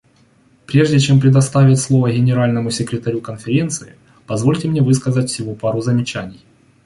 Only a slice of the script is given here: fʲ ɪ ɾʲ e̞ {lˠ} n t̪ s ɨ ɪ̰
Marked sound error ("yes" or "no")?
yes